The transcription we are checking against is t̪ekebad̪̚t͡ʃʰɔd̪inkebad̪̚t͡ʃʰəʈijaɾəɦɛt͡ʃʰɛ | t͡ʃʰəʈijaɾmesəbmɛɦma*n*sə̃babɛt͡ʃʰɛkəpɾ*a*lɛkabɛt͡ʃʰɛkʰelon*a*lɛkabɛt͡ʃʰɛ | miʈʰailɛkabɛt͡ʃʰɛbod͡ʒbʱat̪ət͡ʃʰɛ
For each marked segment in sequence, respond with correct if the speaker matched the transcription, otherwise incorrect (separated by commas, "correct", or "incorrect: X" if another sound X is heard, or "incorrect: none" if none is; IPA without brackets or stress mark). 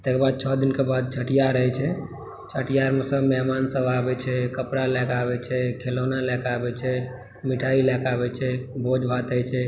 correct, correct, correct